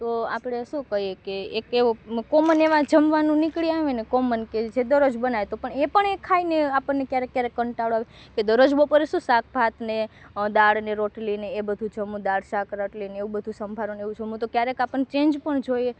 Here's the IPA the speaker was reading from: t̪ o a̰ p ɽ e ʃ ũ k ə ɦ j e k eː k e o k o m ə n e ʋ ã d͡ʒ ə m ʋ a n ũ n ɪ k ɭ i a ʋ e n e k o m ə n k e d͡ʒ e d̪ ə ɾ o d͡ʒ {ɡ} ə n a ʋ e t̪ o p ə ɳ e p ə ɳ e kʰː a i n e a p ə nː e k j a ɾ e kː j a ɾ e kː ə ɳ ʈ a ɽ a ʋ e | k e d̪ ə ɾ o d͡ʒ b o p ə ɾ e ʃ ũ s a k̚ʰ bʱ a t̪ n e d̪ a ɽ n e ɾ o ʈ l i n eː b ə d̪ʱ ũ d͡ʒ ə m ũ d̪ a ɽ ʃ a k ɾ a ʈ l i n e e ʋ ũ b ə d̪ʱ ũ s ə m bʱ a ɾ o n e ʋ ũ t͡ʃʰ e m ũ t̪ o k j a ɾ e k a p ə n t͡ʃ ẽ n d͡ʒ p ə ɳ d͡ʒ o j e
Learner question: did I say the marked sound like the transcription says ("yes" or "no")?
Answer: no